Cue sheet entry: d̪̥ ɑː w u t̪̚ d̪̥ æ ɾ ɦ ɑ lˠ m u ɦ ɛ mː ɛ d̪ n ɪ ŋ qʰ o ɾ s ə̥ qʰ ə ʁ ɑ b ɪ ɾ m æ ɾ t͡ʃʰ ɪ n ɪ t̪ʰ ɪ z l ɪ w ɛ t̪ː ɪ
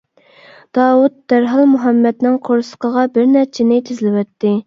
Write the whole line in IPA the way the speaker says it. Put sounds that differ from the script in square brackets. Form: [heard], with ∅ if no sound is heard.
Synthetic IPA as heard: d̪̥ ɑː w u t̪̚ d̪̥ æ ɾ ɦ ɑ lˠ m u ɦ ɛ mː ɛ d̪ n ɪ ŋ qʰ o ɾ s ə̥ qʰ ə ʁ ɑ b ɪ ɾ [n] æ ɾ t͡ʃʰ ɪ n ɪ t̪ʰ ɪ z l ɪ w ɛ t̪ː ɪ